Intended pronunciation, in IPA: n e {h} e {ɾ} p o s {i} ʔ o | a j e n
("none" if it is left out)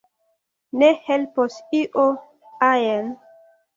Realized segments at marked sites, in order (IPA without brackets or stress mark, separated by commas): h, l, i